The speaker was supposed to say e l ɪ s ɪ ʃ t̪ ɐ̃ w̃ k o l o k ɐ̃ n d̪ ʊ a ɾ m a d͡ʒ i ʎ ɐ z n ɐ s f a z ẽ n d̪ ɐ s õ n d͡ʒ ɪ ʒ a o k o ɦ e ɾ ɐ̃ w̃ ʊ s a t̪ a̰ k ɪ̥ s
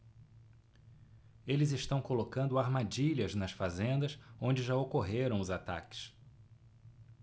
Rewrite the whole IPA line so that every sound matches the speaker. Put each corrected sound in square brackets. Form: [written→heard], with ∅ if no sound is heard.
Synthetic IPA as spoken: e l ɪ [s→z] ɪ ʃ t̪ ɐ̃ w̃ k o l o k ɐ̃ n d̪ ʊ a ɾ m a d͡ʒ i ʎ ɐ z n ɐ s f a z ẽ n d̪ ɐ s õ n d͡ʒ ɪ ʒ a o k o ɦ e ɾ ɐ̃ w̃ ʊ [s→z] a t̪ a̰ k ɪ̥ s